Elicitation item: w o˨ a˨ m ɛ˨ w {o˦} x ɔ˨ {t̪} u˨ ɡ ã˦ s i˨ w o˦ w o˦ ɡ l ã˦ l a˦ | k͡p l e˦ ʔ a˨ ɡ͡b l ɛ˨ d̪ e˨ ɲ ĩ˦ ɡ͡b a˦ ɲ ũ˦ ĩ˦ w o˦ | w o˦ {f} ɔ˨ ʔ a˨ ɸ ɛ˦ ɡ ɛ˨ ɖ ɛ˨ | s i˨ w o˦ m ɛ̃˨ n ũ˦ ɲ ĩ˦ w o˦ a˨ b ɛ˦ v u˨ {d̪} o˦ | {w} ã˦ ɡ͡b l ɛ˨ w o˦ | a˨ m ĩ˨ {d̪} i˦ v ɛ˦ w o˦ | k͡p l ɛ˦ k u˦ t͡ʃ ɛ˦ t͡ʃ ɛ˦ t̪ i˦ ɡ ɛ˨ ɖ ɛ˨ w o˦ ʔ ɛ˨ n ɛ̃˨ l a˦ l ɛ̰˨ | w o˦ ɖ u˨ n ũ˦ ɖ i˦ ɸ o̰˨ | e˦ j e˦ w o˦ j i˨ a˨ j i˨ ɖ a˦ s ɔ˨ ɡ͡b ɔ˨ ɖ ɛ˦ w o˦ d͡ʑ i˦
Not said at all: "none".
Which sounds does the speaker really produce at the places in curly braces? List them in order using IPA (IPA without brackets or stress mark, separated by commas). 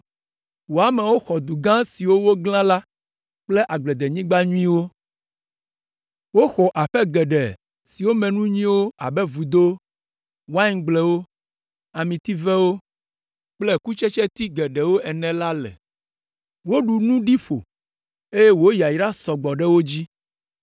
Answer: o˦, d̪, x, d̪, w, t̪